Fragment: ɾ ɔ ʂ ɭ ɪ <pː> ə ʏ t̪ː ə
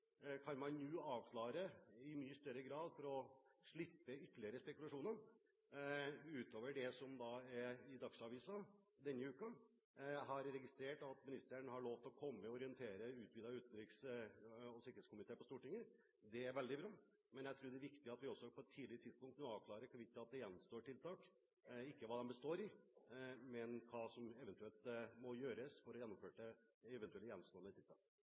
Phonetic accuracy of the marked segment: correct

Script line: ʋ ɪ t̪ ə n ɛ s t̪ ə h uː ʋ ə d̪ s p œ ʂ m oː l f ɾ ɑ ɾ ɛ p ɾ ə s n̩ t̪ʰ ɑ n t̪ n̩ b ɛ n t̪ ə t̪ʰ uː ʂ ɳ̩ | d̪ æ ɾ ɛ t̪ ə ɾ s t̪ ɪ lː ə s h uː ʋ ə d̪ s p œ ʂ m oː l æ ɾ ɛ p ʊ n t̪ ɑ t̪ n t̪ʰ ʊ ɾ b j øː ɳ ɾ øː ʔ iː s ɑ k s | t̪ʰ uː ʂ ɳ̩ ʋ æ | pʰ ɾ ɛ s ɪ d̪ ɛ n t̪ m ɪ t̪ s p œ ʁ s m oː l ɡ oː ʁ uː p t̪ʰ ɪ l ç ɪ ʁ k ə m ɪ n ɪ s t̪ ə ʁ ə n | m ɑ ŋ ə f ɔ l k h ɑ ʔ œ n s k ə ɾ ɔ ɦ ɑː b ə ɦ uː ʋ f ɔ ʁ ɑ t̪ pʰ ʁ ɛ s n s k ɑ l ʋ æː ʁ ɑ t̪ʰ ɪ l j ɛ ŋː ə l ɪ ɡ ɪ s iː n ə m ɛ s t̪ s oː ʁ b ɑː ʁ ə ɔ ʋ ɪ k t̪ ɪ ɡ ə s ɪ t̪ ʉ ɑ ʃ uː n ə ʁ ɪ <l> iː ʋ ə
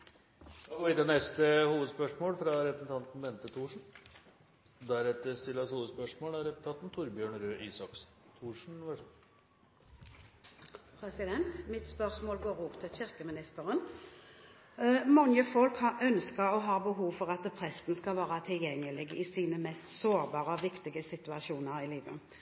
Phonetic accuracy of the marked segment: correct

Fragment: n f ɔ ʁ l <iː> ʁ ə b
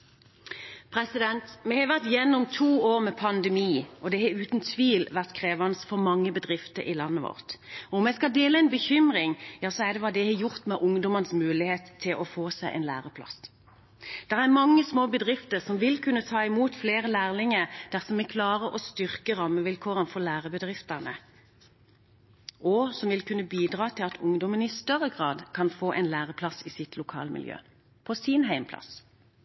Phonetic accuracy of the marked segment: incorrect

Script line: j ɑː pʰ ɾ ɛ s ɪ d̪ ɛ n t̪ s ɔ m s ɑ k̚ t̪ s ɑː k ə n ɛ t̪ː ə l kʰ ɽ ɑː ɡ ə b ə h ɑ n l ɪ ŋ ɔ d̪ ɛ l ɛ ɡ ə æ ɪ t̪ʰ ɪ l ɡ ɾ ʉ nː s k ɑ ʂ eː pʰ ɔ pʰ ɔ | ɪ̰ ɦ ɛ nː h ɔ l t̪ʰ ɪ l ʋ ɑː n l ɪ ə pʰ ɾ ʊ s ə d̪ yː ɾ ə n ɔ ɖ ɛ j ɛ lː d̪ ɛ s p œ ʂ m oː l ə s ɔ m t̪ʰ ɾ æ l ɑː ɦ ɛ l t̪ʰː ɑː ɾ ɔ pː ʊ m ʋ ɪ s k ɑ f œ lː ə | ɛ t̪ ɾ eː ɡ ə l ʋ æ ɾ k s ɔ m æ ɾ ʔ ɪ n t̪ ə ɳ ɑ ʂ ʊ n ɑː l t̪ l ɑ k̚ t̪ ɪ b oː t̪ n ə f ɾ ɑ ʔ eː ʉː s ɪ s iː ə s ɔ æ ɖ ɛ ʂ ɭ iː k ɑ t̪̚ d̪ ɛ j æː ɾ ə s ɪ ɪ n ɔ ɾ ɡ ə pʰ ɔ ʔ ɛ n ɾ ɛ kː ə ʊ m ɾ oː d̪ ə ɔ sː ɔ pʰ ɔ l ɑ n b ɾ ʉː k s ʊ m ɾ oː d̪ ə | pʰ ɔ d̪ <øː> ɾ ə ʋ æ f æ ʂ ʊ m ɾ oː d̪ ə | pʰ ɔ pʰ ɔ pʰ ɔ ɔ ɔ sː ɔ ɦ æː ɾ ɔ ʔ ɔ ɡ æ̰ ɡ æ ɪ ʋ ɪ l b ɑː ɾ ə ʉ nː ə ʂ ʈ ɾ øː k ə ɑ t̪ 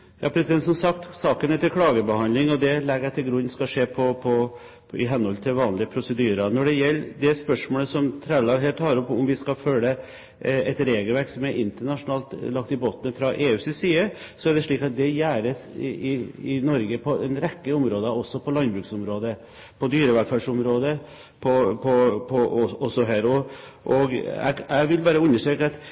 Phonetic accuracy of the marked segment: incorrect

